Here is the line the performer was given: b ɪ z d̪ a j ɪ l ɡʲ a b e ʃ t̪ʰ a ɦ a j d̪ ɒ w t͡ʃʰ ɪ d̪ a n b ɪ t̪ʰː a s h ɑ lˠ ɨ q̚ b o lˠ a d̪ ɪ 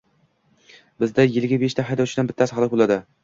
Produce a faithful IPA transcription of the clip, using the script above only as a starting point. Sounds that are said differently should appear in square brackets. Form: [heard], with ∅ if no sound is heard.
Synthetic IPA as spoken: b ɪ z d̪ a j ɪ l ɡʲ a b e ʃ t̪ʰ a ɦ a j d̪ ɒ w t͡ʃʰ ɪ d̪ a n b ɪ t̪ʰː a s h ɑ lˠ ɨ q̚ b o lˠ a d̪ ɪ